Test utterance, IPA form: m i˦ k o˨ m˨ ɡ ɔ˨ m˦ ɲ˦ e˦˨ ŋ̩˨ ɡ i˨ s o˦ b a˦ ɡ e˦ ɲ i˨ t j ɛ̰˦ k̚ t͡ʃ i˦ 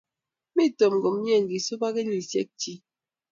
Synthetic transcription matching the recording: m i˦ t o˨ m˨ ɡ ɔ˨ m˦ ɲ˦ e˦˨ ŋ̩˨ ɡ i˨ s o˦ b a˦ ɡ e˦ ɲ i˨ s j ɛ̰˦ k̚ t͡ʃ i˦